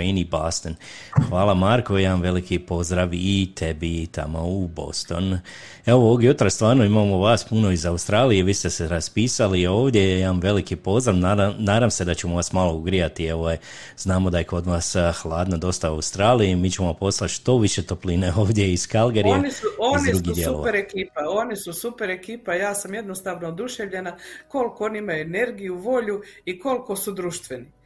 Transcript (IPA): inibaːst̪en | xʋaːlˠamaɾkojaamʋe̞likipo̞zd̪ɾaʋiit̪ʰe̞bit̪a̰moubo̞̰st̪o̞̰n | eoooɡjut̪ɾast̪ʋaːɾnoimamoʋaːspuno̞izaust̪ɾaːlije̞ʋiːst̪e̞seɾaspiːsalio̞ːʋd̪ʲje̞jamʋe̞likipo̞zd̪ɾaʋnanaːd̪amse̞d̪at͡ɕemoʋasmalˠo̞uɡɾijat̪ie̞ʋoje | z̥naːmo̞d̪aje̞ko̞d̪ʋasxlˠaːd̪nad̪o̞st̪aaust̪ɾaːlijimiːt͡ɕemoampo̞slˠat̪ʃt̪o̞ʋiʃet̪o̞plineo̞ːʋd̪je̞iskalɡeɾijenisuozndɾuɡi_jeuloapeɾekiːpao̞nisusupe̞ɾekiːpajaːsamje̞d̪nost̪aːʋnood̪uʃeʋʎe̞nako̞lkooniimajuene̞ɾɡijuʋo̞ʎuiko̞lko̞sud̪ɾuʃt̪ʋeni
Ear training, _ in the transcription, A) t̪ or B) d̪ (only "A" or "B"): B